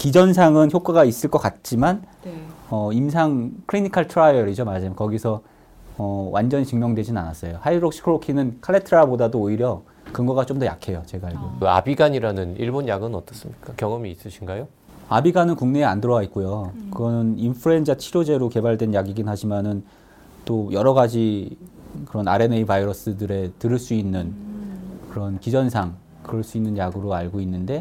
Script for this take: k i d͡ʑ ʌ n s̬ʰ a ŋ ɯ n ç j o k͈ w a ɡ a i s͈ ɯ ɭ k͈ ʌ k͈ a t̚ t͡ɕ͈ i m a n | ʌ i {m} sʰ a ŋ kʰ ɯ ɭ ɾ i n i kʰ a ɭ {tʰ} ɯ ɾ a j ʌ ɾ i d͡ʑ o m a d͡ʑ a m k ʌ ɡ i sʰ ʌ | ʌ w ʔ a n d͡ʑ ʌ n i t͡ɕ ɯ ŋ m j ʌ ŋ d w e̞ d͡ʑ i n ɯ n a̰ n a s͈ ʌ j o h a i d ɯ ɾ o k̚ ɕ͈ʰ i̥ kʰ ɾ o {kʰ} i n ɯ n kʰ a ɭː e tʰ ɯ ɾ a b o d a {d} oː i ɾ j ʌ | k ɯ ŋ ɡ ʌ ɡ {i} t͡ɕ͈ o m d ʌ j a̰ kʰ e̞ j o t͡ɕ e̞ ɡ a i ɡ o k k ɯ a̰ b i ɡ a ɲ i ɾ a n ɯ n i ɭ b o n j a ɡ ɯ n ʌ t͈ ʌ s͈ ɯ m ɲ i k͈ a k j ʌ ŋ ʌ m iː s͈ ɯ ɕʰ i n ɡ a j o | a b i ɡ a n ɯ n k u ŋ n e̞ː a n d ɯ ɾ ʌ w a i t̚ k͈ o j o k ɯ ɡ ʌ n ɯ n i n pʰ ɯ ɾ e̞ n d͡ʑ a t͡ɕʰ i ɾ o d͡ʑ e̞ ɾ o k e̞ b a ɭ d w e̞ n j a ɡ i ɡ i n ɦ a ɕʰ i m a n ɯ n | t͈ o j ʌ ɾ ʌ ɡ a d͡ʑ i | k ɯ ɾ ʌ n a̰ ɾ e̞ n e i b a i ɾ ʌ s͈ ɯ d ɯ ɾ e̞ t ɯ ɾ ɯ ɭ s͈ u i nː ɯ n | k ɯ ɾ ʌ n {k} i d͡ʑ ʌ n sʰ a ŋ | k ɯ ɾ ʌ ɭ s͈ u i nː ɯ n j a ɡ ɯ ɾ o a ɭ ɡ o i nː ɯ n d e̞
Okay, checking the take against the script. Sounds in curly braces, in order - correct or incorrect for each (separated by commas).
correct, correct, correct, correct, incorrect, correct